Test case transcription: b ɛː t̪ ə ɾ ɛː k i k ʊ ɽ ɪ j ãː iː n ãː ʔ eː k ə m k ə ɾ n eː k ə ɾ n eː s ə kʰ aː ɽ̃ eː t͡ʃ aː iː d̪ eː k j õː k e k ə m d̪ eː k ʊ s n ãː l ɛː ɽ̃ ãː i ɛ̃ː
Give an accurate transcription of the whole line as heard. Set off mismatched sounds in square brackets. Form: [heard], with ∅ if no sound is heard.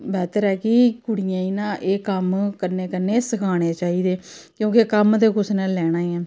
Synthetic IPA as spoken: b ɛː t̪ ə ɾ ɛː k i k ʊ ɽ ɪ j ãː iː n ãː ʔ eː k ə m k ə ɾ n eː k ə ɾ n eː s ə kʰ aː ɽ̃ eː t͡ʃ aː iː d̪ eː k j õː k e k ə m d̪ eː k ʊ s n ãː l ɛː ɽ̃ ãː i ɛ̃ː